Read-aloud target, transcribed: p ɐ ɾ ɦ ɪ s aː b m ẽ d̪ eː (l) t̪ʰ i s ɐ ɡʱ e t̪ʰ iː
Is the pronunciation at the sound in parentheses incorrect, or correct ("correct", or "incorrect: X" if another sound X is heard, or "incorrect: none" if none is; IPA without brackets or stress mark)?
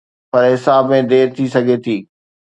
incorrect: ɾ